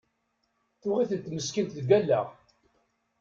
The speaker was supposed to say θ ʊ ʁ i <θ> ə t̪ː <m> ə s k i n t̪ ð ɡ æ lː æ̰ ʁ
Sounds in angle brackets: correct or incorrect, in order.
correct, correct

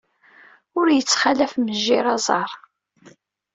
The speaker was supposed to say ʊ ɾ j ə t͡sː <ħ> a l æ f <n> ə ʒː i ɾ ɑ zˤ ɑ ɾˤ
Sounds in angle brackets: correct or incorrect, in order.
incorrect, incorrect

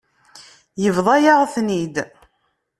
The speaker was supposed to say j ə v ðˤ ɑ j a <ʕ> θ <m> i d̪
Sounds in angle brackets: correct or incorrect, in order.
incorrect, incorrect

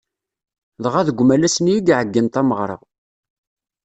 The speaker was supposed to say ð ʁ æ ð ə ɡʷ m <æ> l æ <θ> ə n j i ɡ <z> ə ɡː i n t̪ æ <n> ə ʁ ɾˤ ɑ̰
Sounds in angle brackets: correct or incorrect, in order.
correct, incorrect, incorrect, incorrect

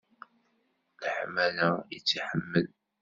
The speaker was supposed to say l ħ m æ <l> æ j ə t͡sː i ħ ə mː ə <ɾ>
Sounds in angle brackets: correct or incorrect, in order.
correct, incorrect

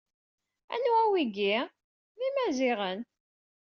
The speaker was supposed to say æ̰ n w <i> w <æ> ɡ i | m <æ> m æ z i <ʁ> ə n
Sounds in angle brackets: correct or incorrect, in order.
incorrect, incorrect, incorrect, correct

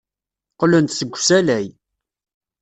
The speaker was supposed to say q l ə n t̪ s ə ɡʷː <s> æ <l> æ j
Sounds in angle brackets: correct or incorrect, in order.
correct, correct

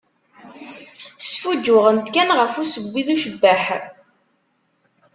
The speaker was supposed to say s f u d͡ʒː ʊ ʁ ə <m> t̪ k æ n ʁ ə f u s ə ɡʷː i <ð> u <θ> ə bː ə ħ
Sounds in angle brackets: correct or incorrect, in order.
incorrect, correct, incorrect

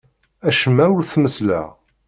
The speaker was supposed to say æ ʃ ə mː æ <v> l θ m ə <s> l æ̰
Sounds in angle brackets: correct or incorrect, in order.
incorrect, correct

